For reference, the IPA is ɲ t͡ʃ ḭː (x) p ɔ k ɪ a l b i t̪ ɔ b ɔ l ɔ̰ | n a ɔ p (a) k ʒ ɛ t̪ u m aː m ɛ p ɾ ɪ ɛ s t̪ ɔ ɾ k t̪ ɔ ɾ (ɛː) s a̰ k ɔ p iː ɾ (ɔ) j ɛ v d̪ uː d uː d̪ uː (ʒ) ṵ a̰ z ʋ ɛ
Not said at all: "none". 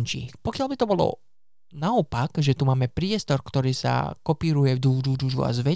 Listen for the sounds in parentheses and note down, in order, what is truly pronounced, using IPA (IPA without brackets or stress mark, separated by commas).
x, a, iː, u, ʒ